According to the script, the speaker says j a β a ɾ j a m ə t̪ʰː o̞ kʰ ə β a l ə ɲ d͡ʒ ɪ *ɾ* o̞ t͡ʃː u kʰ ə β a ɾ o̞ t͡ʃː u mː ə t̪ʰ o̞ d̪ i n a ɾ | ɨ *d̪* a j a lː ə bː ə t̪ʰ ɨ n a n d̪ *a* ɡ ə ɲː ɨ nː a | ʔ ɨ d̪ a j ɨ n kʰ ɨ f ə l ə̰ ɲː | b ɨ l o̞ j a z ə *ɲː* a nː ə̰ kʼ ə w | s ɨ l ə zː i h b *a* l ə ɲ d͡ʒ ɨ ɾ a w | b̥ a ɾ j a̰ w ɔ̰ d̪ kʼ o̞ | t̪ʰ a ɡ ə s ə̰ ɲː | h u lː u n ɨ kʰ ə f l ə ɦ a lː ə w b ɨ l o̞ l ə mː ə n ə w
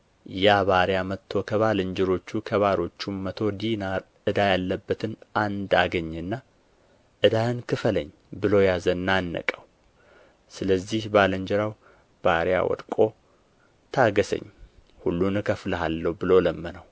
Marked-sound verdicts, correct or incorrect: correct, correct, correct, incorrect: nː, correct

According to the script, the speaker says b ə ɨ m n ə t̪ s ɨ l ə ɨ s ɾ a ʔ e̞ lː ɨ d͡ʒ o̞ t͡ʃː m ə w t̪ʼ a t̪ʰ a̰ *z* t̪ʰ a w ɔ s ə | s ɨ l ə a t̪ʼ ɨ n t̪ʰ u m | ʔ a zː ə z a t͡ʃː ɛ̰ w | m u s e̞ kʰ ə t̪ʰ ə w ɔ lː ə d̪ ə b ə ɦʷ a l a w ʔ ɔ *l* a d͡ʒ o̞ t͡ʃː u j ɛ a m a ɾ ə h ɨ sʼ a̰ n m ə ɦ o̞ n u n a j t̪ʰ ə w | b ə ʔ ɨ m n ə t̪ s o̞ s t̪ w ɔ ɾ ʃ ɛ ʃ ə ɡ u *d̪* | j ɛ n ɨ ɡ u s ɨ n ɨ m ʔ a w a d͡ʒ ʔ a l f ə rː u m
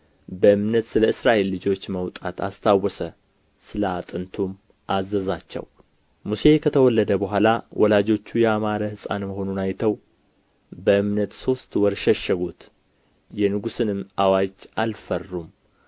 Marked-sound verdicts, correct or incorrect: incorrect: s, correct, incorrect: t̪

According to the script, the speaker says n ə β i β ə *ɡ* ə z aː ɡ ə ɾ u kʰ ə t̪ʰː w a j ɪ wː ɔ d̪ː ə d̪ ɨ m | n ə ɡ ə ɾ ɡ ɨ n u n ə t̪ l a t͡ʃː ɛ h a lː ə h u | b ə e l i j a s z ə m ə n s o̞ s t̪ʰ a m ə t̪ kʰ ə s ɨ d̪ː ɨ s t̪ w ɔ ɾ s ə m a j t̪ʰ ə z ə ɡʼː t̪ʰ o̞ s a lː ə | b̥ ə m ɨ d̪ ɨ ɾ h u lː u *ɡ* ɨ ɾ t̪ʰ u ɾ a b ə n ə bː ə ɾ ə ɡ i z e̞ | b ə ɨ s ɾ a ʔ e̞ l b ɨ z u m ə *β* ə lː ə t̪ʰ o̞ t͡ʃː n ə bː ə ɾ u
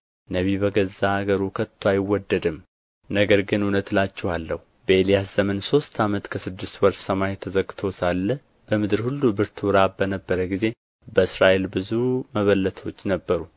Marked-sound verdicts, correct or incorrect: correct, incorrect: b, correct

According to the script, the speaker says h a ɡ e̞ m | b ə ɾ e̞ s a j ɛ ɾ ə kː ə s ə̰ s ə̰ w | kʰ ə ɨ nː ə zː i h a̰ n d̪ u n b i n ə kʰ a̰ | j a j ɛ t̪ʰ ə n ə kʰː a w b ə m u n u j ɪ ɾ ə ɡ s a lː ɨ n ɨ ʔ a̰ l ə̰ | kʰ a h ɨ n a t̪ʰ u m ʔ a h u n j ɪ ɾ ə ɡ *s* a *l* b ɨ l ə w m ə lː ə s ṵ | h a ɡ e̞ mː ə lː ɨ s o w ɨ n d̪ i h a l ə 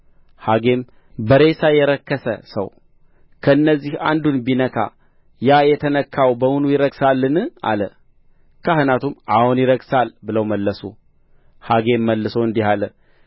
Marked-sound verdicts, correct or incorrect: correct, correct

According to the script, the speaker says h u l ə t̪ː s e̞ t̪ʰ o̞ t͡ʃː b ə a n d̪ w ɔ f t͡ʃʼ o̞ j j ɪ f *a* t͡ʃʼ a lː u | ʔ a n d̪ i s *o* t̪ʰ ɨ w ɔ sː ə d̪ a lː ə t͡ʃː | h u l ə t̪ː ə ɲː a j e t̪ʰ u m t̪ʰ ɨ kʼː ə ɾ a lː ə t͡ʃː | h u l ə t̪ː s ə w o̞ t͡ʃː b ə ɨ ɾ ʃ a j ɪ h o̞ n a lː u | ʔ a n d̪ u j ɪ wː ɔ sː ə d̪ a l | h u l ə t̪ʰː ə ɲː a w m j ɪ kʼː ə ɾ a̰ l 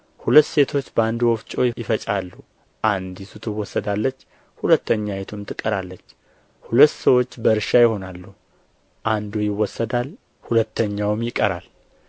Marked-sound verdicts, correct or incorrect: incorrect: ə, incorrect: u

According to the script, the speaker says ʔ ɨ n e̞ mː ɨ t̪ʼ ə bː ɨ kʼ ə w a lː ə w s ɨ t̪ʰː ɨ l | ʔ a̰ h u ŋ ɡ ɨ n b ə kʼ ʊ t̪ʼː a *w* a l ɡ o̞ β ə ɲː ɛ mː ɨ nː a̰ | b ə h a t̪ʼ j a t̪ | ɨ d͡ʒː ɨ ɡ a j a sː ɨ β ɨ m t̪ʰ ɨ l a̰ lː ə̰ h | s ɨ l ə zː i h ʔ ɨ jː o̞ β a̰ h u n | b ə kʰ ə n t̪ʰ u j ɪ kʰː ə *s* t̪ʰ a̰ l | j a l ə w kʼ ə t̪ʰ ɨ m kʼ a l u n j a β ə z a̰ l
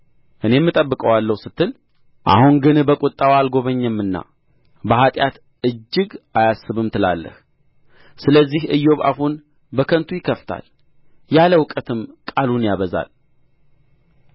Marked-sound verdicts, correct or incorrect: correct, incorrect: f

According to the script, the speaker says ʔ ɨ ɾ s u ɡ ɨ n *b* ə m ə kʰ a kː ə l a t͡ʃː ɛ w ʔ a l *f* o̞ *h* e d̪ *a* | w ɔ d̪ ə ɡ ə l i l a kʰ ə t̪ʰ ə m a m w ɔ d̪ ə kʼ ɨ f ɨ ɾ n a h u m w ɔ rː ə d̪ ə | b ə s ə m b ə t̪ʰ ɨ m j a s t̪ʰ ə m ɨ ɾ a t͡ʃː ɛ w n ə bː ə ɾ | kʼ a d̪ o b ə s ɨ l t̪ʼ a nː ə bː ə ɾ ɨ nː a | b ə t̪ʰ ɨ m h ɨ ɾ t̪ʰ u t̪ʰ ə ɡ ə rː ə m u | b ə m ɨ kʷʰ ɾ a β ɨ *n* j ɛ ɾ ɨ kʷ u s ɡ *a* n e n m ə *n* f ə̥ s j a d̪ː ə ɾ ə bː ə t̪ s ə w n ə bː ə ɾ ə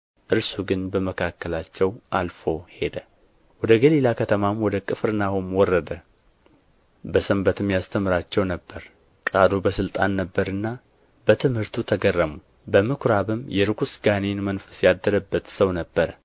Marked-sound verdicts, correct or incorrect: correct, correct, correct, incorrect: ə, incorrect: m, correct, correct

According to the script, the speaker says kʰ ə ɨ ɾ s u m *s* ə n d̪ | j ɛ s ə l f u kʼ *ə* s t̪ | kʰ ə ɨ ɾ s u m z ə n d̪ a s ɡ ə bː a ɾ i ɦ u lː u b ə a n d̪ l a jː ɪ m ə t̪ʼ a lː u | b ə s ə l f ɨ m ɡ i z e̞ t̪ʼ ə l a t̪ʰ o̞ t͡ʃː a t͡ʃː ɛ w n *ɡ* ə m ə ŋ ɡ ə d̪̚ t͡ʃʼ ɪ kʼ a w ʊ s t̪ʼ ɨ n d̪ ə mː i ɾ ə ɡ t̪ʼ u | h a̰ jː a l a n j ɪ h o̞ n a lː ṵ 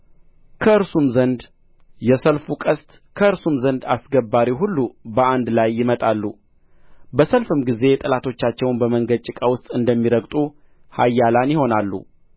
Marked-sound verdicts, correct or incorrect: incorrect: z, correct, incorrect: b

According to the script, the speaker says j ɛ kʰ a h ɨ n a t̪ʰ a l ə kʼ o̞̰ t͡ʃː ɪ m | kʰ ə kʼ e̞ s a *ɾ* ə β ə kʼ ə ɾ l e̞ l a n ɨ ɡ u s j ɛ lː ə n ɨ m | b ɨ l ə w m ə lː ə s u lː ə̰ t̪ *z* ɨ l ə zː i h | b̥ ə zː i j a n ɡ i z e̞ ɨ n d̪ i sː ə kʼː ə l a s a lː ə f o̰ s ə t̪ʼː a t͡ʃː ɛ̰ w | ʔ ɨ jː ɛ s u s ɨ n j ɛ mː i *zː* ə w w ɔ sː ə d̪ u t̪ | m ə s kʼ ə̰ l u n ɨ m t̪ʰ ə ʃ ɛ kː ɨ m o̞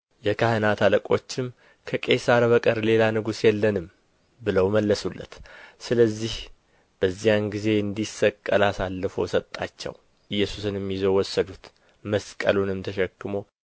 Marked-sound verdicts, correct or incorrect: correct, incorrect: s, incorrect: z

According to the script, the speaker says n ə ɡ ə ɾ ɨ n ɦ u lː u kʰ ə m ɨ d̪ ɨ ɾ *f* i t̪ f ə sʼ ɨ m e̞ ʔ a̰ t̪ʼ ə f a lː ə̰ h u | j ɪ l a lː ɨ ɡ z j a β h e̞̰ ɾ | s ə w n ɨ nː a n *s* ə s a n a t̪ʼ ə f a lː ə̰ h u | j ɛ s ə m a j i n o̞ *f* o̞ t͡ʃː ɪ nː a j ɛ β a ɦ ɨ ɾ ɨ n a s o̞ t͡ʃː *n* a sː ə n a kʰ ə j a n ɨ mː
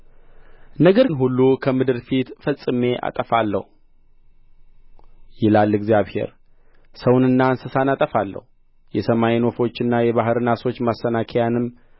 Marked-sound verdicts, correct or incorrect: correct, correct, correct, incorrect: m

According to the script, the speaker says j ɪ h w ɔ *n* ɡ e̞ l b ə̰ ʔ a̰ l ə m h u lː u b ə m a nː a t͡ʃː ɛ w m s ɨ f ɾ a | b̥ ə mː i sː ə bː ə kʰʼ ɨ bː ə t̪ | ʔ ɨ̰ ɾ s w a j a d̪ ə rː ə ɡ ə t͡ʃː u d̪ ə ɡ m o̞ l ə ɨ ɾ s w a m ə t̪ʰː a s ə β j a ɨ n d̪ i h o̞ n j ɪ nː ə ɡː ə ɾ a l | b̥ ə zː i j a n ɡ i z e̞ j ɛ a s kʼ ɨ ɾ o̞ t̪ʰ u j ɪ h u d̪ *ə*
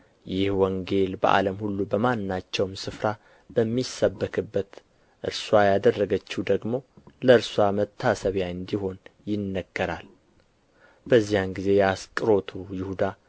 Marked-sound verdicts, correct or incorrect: incorrect: ŋ, incorrect: a

